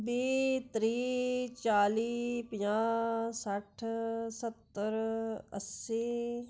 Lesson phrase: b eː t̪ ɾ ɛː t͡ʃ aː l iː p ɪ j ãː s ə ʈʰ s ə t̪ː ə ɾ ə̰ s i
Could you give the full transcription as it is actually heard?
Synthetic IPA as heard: b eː t̪ ɾ iː t͡ʃ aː l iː p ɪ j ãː s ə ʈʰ s ə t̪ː ə ɾ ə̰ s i